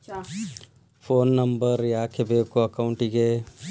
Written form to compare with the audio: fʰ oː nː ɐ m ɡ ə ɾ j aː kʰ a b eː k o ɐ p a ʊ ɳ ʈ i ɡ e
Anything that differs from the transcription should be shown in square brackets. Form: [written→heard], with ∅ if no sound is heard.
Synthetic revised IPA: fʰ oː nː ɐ m [ɡ→b] ə ɾ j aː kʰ [a→e] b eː k o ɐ [p→k] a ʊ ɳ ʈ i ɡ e